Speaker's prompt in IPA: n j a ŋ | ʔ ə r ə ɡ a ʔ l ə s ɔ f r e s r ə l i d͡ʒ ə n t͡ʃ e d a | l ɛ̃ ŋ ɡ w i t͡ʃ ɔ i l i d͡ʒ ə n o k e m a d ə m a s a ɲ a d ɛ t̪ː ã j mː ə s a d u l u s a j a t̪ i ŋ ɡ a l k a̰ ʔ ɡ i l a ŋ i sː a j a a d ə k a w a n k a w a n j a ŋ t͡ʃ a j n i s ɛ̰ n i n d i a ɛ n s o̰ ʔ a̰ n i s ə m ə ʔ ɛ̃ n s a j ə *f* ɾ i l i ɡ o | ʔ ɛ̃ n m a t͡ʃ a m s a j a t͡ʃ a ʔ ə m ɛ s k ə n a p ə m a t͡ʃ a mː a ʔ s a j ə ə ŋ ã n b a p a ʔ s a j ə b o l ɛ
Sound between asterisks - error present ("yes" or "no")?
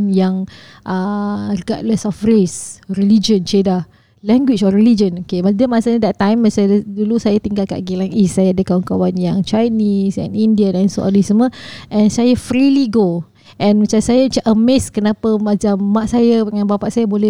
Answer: no